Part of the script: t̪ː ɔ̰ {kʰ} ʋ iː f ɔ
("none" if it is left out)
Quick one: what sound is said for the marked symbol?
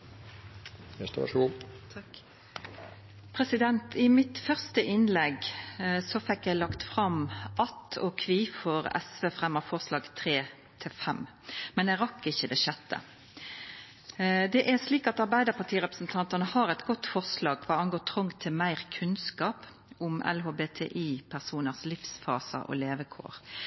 kʰ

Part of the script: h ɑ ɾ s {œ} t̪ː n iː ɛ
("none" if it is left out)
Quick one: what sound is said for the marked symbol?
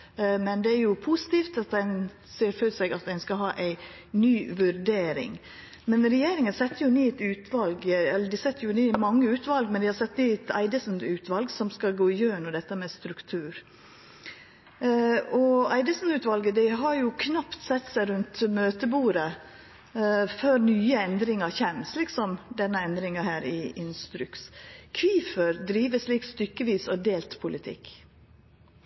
ɛ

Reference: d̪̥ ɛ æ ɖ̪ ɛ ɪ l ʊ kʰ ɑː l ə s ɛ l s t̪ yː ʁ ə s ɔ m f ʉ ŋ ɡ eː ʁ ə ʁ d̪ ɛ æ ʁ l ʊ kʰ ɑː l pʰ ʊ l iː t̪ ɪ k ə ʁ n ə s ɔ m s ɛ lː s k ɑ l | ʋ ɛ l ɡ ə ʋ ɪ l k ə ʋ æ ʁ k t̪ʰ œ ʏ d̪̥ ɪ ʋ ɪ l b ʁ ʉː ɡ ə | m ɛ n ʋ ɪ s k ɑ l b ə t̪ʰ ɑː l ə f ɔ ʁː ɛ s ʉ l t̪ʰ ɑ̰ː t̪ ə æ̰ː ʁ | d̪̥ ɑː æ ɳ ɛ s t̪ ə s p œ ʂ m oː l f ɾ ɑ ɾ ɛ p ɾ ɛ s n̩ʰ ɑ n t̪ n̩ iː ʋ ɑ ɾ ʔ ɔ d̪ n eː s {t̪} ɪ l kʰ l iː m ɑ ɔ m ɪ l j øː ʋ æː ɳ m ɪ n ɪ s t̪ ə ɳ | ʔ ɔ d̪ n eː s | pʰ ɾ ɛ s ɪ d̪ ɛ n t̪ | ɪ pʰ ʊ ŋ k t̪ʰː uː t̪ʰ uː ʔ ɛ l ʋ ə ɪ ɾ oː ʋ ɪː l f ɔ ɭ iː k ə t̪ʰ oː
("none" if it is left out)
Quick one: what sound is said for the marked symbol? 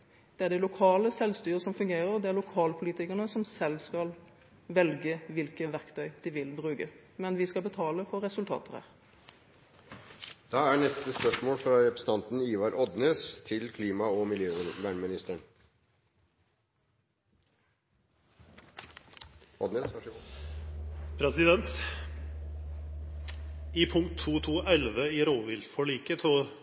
t̪ʰ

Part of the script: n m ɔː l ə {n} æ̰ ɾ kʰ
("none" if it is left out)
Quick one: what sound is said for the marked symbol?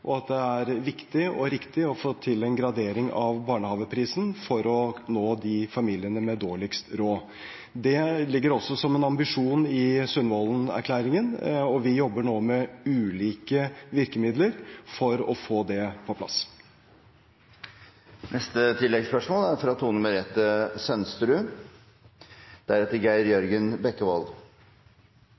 n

